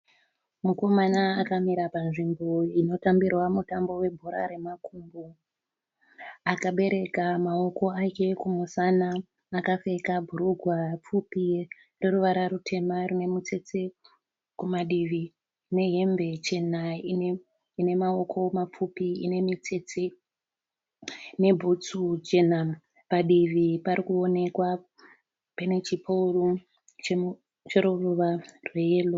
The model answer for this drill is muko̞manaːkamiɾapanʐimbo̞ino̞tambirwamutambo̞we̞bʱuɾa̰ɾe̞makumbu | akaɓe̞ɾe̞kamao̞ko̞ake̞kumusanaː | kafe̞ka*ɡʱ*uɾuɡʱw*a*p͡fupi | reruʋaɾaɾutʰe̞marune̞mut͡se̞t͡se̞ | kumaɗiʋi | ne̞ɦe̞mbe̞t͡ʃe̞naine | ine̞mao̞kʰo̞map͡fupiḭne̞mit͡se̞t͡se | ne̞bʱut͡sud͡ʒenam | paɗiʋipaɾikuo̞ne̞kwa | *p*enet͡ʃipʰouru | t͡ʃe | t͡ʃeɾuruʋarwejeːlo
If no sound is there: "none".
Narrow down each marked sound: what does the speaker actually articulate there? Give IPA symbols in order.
bʱ, a, p

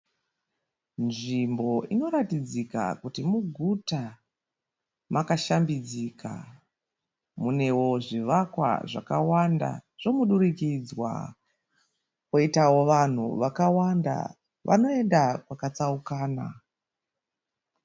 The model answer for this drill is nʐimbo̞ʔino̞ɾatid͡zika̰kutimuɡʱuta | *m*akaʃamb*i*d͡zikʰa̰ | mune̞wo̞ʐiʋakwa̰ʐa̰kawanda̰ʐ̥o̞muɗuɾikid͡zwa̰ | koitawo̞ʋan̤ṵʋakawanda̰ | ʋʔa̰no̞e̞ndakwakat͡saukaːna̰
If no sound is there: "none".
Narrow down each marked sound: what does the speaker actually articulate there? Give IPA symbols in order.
m, i

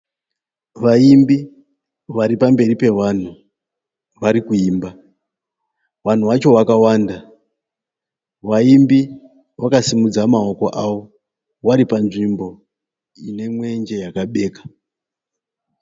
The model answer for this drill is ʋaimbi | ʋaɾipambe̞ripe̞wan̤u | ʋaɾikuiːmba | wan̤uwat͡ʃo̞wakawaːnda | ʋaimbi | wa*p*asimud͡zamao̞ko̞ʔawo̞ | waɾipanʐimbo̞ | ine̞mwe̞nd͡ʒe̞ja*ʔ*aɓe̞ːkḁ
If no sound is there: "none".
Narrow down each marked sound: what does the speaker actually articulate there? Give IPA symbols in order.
k, k

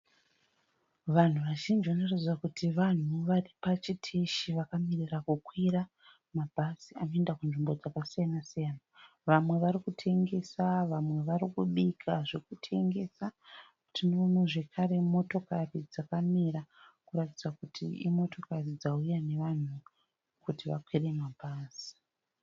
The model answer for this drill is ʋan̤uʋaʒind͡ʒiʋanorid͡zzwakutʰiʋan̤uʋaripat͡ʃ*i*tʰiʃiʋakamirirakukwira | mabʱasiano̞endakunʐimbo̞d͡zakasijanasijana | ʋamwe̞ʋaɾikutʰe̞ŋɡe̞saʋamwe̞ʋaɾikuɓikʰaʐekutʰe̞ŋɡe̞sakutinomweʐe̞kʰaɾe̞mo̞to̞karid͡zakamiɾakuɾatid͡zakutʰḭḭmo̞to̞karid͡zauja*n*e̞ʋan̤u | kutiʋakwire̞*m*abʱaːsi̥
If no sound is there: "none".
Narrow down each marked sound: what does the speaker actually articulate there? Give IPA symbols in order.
i, n, m

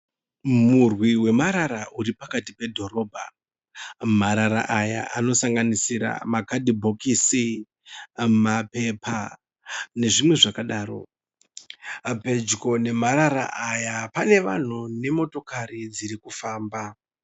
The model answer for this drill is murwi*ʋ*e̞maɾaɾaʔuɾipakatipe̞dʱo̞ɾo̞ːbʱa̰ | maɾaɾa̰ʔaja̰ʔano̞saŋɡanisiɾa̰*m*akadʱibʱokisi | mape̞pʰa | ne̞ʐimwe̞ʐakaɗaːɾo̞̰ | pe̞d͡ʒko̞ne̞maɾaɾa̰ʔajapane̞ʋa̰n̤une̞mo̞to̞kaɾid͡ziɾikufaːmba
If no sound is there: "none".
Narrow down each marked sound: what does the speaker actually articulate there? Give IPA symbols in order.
w, m

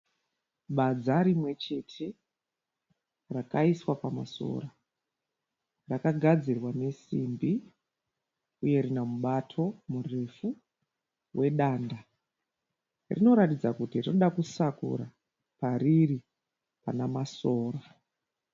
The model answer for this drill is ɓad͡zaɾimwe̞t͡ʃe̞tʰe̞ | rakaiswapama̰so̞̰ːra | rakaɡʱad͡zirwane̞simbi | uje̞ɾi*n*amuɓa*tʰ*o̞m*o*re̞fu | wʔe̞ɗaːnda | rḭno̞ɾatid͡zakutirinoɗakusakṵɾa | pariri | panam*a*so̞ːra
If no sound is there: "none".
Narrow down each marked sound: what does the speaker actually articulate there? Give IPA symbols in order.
n, tʰ, u, a

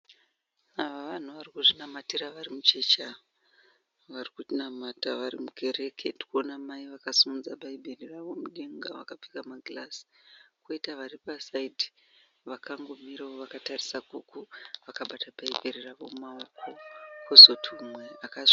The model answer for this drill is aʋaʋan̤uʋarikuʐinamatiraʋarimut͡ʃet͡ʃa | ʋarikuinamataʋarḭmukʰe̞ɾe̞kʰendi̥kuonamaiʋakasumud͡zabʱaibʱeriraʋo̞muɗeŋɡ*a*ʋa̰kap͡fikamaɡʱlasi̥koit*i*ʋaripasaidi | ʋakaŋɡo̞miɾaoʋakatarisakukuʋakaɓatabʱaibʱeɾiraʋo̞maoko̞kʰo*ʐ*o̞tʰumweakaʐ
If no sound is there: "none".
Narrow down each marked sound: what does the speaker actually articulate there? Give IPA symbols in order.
a, a, z

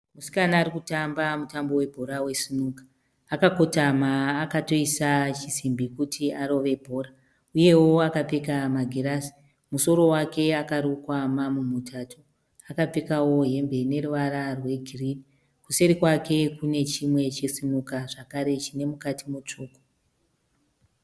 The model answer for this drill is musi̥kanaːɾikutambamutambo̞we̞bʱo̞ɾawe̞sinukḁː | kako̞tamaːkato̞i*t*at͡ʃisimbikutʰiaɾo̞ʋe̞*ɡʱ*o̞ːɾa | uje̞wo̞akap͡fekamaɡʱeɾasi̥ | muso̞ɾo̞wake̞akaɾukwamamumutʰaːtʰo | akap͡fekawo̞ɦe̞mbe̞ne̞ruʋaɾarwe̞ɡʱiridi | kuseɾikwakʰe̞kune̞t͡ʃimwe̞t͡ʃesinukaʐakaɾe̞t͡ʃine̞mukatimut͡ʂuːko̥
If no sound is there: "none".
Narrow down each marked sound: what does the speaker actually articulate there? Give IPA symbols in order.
s, bʱ

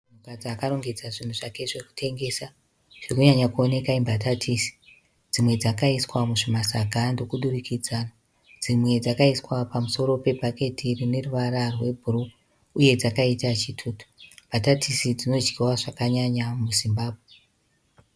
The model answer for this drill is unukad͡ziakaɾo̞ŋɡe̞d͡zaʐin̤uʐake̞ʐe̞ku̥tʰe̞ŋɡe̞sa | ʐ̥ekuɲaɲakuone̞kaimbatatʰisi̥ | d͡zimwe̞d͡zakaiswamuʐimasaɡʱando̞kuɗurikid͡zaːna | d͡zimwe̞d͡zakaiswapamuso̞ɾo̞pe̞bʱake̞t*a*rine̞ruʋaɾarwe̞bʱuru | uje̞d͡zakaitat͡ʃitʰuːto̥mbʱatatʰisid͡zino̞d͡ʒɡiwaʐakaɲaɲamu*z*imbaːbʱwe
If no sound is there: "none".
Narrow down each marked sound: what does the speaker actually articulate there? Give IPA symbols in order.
i, z

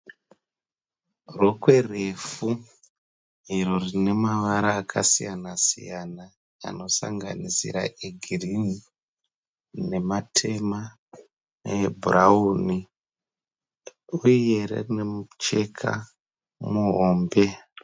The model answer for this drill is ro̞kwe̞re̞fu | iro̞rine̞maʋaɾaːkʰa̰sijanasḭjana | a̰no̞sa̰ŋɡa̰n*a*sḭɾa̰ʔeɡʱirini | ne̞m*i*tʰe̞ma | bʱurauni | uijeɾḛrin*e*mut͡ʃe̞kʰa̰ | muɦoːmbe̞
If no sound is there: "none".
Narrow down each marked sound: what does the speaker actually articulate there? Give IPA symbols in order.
i, a, e

